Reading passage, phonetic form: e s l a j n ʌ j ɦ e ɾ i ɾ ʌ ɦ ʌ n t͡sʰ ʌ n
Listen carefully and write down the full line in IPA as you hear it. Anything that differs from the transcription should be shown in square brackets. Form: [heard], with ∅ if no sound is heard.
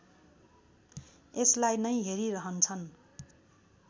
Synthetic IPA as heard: e s l a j n ʌ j ɦ e ɾ i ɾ ʌ ɦ ʌ n t͡sʰ ʌ n